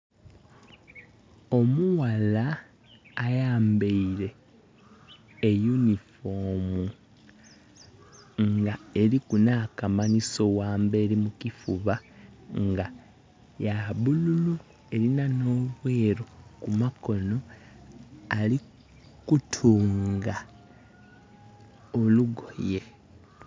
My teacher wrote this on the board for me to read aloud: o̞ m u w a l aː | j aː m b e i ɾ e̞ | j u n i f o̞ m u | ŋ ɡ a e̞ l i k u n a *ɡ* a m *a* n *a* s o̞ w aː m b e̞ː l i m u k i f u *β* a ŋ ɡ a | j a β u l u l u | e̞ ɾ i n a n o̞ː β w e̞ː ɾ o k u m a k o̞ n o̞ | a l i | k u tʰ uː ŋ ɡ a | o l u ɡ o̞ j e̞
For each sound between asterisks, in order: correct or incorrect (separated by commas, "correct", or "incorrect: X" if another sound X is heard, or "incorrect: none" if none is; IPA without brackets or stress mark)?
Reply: incorrect: k, correct, incorrect: i, correct